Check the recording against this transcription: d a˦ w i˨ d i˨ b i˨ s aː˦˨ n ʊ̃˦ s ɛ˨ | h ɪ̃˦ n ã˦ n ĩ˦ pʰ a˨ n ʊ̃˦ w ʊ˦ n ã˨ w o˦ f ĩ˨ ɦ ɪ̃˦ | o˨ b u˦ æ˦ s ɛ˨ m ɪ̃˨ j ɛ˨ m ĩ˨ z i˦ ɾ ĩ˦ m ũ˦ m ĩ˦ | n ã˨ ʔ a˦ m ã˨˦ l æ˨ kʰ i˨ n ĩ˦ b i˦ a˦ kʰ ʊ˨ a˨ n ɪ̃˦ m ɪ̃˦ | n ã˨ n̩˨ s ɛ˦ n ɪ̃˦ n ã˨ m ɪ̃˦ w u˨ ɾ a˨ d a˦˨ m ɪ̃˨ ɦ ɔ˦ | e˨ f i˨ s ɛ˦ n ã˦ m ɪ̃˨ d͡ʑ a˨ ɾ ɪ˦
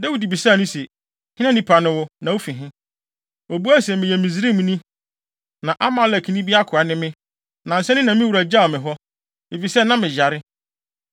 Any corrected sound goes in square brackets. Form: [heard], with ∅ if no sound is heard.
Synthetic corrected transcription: d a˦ w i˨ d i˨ b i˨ s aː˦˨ n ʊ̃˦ s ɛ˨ | h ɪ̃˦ n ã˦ n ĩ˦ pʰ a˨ n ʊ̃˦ w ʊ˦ n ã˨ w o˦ f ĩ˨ ɦ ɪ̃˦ | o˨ b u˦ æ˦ s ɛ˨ m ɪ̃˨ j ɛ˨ m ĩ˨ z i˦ ɾ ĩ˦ m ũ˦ [n] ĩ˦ | n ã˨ ʔ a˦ m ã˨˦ l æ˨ kʰ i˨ n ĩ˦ b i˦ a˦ kʰ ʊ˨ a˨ n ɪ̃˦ m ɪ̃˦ | n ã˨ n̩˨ s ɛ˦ n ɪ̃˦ n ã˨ m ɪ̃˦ w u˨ ɾ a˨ [d͡ʑ] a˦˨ m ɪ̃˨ ɦ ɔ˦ | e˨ f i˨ s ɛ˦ n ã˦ m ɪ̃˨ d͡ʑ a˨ ɾ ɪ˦